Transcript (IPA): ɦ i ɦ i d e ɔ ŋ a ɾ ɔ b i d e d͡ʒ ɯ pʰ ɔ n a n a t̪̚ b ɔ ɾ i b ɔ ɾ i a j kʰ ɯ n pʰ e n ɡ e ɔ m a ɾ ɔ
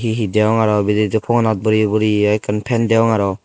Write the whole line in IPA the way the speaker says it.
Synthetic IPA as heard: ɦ i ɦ i d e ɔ ŋ a ɾ ɔ b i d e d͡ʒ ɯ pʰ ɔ ŋ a n a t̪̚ b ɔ ɾ i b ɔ ɾ i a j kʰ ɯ n pʰ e n d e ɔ ŋ a ɾ ɔ